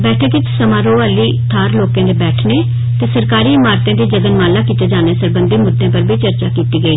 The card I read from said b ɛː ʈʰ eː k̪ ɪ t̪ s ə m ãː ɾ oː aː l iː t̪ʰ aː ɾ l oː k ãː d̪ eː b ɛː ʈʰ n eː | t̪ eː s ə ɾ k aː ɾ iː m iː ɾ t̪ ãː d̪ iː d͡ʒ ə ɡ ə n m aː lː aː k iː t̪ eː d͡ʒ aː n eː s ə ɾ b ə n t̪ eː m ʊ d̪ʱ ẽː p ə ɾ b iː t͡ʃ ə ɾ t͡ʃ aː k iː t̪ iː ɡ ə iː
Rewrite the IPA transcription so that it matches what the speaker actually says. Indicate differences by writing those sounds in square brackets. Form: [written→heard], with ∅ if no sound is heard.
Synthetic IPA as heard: b ɛː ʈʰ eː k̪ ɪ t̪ s ə m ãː ɾ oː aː l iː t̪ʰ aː ɾ l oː k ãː d̪ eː b ɛː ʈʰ n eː | t̪ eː s ə ɾ k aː ɾ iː m [iː→aː] ɾ t̪ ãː d̪ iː d͡ʒ ə ɡ ə n m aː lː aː k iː t̪ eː d͡ʒ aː n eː s ə ɾ b ə n [t̪→d̪] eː m ʊ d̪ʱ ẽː p ə ɾ b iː t͡ʃ ə ɾ t͡ʃ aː k iː t̪ iː ɡ ə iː